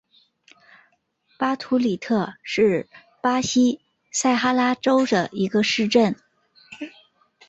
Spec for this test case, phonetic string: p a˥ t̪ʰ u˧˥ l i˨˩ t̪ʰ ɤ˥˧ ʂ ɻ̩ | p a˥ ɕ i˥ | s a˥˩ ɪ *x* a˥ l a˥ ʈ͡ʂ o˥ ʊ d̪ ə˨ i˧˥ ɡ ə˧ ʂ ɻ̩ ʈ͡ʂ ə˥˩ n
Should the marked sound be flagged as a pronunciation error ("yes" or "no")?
no